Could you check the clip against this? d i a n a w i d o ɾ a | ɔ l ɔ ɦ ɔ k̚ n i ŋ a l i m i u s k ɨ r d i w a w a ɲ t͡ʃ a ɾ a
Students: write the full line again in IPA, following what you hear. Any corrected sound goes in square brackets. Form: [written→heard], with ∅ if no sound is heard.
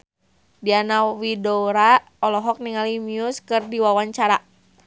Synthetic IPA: d i a n a w i d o ɾ a | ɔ l ɔ ɦ ɔ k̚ n i ŋ a l i m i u s k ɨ r d i w a w a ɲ t͡ʃ a ɾ a